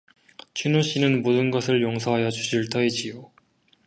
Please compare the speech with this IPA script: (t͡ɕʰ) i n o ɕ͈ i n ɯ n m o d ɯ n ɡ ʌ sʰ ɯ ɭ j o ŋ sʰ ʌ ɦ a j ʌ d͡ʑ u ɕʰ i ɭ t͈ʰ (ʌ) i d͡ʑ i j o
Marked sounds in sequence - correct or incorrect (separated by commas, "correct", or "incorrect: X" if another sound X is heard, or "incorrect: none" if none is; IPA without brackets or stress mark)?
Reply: correct, correct